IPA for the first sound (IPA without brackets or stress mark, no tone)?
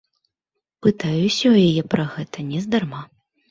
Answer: p